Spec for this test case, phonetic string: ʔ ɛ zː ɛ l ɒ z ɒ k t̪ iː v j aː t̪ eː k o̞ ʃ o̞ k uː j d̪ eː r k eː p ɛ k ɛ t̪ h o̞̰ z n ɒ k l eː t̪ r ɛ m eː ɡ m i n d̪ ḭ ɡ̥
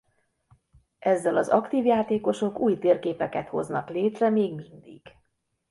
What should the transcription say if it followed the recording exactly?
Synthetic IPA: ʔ ɛ zː ɛ l ɒ z ɒ k t̪ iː v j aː t̪ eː k o̞ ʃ o̞ k uː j t̪ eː r k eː p ɛ k ɛ t̪ h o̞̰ z n ɒ k l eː t̪ r ɛ m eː ɡ m i n d̪ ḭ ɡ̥